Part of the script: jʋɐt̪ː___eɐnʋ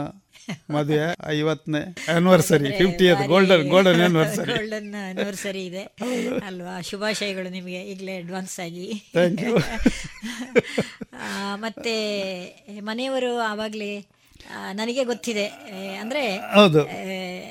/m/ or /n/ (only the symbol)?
n